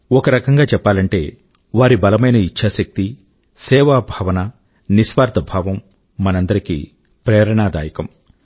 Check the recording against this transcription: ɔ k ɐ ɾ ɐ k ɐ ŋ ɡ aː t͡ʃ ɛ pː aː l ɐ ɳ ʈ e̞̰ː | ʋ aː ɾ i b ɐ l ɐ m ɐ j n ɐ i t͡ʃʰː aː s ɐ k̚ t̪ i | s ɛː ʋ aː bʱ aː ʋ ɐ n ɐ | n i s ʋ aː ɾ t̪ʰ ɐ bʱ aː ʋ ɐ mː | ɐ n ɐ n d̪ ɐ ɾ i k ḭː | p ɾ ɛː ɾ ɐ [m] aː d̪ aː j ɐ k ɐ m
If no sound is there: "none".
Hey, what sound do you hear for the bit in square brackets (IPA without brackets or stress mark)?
ɳ